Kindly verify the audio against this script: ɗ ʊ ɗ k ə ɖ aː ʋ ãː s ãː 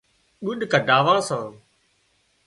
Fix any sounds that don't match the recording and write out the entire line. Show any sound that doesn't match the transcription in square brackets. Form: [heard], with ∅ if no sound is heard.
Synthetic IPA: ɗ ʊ ɗ k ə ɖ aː ʋ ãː s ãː